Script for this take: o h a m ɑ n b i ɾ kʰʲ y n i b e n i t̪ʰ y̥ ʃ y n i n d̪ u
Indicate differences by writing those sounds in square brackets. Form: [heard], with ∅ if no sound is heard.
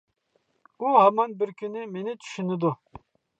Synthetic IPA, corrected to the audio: [u] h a m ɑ n b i ɾ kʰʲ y n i [m] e n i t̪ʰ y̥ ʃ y n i [∅] d̪ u